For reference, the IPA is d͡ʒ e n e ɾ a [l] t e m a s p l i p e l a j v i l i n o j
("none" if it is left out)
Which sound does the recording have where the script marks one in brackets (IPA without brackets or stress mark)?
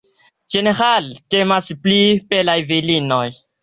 l